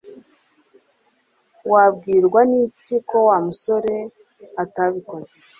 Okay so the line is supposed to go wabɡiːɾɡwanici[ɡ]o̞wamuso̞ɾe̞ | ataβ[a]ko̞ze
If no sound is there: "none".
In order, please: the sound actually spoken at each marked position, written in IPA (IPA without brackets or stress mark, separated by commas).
k, i